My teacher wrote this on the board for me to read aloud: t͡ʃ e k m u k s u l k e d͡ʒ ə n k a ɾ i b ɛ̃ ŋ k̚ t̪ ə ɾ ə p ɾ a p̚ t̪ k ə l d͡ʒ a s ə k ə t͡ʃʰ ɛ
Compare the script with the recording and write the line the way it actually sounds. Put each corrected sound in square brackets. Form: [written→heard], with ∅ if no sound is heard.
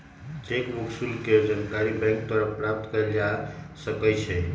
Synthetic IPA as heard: t͡ʃ e k m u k s u l k e d͡ʒ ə n k a ɾ i b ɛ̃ ŋ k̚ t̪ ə ɾ ə p ɾ a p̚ t̪ k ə l d͡ʒ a s ə k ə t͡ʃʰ ɛ